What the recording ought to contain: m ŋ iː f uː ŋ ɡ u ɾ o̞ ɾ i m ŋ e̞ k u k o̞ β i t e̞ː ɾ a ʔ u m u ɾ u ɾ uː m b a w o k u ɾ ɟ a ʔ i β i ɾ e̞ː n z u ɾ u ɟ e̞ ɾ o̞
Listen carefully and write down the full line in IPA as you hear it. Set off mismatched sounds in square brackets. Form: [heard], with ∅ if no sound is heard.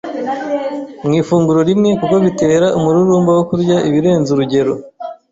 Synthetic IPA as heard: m ŋ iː f uː ŋ ɡ u ɾ o̞ ɾ i m ŋ e̞ k u k o̞ β i t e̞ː ɾ a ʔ u m u ɾ u ɾ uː m b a w o k u ɾ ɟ a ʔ i β i ɾ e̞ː n z u ɾ u ɟ e̞ ɾ o̞